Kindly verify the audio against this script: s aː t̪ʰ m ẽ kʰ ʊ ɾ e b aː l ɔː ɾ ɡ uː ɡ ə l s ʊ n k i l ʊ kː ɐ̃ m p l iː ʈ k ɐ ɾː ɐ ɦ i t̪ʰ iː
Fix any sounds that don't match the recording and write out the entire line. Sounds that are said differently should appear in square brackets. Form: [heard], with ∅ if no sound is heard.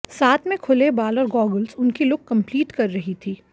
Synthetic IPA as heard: s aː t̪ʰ m ẽ kʰ ʊ [l] e b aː l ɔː ɾ ɡ [ɔː] ɡ ə l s ʊ n k i l ʊ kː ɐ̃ m p l iː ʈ k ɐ ɾː ɐ ɦ i t̪ʰ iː

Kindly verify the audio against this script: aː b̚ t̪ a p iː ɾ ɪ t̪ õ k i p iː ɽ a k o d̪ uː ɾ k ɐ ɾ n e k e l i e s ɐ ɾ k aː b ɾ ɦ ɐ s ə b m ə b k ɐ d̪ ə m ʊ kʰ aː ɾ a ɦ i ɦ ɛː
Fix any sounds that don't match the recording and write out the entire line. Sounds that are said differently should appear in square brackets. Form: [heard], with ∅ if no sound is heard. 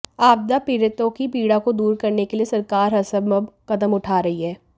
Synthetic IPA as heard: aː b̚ [d̪] a p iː ɾ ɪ t̪ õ k i p iː ɽ a k o d̪ uː ɾ k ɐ ɾ n e k e l i e s ɐ ɾ k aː [∅] ɾ ɦ ɐ s ə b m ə b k ɐ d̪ ə m ʊ [ʈʰ] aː ɾ [ɐ] ɦ i ɦ ɛː

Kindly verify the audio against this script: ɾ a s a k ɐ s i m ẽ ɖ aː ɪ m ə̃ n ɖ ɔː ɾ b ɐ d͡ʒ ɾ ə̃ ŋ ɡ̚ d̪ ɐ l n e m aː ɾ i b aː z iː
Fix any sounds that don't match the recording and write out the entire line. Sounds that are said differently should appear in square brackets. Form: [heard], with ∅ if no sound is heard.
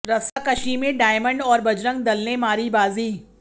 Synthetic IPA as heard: ɾ [ɐ] s a k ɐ [ʃ] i m ẽ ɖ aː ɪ m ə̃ [ɳ] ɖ ɔː ɾ b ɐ d͡ʒ ɾ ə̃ ŋ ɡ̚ d̪ ɐ l n e m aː ɾ i b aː z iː

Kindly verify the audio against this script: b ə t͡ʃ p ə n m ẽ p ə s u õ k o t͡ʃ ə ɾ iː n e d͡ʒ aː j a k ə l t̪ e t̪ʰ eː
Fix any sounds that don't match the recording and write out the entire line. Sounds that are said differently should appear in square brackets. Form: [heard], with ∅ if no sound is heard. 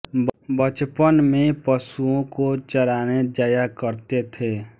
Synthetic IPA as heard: b ə t͡ʃ p ə n m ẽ p ə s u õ k o t͡ʃ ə ɾ [aː] n e d͡ʒ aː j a k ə [ɾ] t̪ e t̪ʰ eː

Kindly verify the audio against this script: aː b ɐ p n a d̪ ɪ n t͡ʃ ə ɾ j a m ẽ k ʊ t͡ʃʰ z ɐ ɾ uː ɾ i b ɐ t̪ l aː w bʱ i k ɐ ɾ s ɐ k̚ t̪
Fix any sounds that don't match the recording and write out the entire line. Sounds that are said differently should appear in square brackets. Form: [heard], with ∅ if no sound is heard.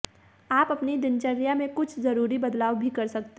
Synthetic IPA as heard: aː [p] ɐ p n [i] d̪ ɪ n t͡ʃ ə ɾ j a m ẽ k ʊ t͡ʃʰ z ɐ ɾ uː ɾ i b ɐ [d̪] l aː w bʱ i k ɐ ɾ s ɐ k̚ t̪

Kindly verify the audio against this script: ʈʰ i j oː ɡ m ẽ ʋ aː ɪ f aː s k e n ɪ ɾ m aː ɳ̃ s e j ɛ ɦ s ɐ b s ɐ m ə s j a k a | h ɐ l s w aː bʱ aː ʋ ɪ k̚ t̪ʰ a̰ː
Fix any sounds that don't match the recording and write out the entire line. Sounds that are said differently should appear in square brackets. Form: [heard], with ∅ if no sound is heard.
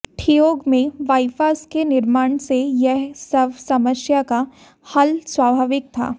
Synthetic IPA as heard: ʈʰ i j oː ɡ m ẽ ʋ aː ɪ f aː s k e n ɪ ɾ m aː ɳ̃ s e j ɛ ɦ s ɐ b s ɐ m ə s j a k a | h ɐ l s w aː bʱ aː ʋ ɪ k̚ t̪ʰ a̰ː

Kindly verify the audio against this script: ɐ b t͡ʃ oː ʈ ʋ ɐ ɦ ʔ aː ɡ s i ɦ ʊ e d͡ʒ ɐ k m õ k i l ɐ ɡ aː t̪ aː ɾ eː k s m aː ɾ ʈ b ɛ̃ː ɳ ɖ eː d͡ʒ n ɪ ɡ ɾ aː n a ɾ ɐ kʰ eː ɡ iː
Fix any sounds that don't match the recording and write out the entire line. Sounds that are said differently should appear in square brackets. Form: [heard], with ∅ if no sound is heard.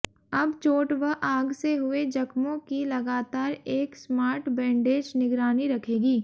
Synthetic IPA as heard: ɐ b t͡ʃ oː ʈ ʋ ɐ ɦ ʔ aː ɡ s [e] ɦ ʊ e d͡ʒ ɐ k m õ k i l ɐ ɡ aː t̪ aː ɾ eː k s m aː ɾ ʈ b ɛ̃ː ɳ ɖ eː d͡ʒ n ɪ ɡ ɾ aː n [i] ɾ ɐ kʰ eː ɡ iː

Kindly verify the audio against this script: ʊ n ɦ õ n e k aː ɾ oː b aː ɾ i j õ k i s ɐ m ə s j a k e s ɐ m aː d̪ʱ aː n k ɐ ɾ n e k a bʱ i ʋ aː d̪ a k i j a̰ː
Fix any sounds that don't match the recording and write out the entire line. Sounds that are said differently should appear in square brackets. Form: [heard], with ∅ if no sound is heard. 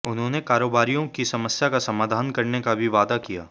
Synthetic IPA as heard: ʊ n ɦ õ n e k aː ɾ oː b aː ɾ i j õ k i s ɐ m ə s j a k [a] s ɐ m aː d̪ʱ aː n k ɐ ɾ n e k a bʱ i ʋ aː d̪ a k i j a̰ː

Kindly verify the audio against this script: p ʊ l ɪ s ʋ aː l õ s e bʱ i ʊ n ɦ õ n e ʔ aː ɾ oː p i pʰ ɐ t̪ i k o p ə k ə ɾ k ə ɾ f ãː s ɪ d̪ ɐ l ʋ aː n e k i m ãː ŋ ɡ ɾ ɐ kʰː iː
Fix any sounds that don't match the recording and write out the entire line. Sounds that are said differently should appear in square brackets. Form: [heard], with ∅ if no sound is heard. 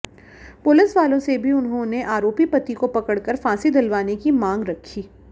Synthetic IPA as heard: p ʊ l ɪ s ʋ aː l õ s e bʱ i ʊ n ɦ õ n e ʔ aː ɾ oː p i [p] ɐ t̪ i k o p [ɐ] k ə [ɽ] k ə ɾ f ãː s [i] d̪ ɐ l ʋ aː n e k i m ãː ŋ ɡ ɾ ɐ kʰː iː

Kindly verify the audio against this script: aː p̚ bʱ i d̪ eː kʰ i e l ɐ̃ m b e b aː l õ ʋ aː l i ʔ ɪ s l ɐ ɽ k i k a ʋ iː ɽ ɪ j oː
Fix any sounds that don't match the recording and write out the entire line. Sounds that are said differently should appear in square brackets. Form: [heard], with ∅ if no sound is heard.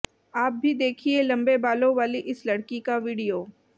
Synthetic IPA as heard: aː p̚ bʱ i d̪ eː kʰ i e l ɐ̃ m b e b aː l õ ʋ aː l i ʔ ɪ s l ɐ ɽ k i k a ʋ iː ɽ [i] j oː

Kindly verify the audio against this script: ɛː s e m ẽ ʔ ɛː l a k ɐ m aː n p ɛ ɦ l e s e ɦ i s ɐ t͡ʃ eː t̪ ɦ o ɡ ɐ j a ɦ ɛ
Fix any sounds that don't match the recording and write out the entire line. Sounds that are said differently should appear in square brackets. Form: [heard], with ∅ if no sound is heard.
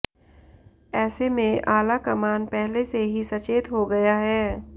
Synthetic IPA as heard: ɛː s e m ẽ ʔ [aː] l a k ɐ m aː n p ɛ ɦ l e s e ɦ i s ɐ t͡ʃ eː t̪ ɦ o ɡ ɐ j a ɦ [ɛː]

